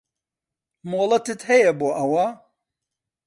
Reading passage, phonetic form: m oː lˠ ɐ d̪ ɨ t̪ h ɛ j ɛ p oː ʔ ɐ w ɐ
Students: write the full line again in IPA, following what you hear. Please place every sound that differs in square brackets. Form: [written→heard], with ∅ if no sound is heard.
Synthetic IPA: m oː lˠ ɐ [d̪→t̪] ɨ t̪ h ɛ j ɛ [p→b] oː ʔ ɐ w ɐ